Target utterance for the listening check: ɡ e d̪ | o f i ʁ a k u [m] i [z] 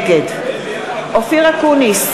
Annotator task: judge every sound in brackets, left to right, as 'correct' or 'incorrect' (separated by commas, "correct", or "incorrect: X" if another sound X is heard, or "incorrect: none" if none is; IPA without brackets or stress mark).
incorrect: n, incorrect: s